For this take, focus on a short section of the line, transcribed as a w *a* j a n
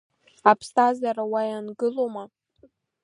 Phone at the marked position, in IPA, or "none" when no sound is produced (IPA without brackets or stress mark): a